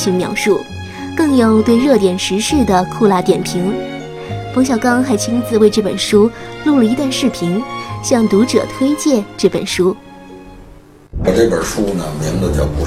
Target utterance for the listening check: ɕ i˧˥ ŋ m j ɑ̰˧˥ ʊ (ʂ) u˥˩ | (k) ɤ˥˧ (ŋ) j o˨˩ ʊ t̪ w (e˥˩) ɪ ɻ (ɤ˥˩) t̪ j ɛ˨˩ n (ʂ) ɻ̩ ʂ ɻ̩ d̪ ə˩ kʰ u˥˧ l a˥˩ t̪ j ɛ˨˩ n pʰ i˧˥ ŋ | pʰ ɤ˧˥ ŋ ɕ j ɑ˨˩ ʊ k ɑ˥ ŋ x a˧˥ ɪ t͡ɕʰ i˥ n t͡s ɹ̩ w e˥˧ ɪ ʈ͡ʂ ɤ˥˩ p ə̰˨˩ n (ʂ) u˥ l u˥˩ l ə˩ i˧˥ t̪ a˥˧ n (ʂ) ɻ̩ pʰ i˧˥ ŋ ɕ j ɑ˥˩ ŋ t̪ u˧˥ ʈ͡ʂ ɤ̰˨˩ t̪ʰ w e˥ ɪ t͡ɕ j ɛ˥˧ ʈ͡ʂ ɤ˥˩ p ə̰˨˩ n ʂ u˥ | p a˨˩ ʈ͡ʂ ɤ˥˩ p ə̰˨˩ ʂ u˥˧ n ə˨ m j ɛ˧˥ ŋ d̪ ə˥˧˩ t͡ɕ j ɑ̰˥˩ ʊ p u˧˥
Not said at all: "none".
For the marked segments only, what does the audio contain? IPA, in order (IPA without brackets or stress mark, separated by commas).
ʂ, k, ŋ, e˥˧, ɤ˥˩, ʂ, ʂ, ʂ